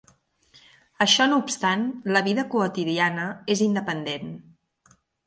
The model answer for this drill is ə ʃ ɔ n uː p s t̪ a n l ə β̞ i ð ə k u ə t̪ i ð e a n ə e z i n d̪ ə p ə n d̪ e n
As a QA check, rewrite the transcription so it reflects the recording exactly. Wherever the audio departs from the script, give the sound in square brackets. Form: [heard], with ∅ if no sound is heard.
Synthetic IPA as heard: ə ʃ ɔ n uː p s t̪ a n l ə β̞ i ð ə k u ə t̪ i ð [i] a n ə e z i n d̪ ə p ə n d̪ e n